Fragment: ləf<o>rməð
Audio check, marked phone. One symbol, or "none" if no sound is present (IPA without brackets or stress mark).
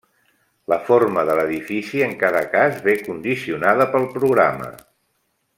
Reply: o